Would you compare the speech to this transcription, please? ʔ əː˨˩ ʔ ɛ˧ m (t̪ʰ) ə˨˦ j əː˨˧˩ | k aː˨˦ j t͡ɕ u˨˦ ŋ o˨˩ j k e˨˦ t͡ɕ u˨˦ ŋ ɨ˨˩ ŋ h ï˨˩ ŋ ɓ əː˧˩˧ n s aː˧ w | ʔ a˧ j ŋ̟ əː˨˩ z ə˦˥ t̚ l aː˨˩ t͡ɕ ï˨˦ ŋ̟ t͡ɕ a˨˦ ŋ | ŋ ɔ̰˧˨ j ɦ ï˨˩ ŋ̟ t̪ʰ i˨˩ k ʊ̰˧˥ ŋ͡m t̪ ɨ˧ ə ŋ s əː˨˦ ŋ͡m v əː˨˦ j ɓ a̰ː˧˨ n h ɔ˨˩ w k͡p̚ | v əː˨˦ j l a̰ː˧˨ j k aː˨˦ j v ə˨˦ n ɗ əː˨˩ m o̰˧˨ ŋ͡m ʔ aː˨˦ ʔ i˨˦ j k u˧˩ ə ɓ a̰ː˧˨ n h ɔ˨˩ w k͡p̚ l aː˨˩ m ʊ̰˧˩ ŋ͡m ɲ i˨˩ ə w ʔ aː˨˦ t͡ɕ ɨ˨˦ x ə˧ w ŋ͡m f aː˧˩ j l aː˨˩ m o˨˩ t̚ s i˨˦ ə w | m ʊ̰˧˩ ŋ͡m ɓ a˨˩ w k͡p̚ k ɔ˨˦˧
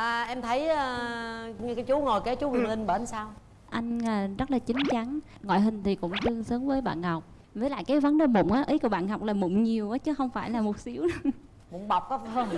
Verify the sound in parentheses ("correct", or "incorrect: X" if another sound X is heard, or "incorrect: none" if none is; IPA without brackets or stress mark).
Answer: correct